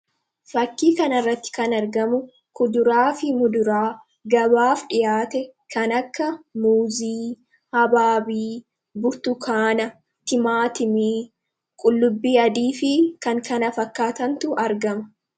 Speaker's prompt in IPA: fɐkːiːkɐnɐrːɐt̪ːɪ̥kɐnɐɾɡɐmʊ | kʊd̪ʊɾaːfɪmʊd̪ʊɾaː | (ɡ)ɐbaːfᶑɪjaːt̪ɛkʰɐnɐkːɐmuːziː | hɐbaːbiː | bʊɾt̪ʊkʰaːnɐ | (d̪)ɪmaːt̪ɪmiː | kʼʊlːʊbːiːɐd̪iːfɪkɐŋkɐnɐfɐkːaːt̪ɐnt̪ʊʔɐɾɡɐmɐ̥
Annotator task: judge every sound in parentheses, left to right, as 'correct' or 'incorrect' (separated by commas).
correct, incorrect